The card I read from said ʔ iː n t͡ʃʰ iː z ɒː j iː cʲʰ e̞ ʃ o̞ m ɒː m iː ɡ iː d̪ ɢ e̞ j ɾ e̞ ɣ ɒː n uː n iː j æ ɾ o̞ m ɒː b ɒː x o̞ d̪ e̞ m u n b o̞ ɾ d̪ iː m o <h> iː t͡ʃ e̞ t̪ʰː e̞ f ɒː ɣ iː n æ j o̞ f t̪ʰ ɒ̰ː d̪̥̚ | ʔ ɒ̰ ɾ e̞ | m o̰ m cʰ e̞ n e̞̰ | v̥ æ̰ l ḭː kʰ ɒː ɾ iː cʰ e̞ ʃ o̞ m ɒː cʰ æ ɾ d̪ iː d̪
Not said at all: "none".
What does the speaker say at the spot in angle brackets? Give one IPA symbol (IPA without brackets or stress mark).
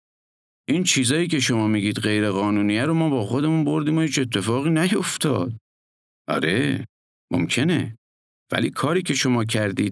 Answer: h